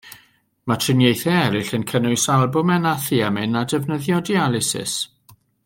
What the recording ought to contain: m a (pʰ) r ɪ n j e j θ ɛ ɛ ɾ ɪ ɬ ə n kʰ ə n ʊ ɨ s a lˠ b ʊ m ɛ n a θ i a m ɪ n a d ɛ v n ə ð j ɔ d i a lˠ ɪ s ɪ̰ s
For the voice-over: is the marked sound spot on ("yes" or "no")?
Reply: no